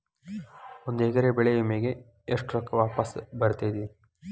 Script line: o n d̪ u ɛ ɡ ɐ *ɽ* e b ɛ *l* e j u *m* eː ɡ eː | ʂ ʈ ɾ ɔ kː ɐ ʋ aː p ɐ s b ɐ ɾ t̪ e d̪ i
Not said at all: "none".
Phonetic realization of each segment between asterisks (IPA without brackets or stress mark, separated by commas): ɾ, ɭ, m